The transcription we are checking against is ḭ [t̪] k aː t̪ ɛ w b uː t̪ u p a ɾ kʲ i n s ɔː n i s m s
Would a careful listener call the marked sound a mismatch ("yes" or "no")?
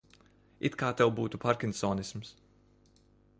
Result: no